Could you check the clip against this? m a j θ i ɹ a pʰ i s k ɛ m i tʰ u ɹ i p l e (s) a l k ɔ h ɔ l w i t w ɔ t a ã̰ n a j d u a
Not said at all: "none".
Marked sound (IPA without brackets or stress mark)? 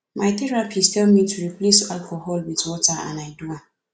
s